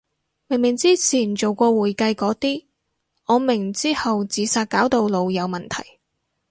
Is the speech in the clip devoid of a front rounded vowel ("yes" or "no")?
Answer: yes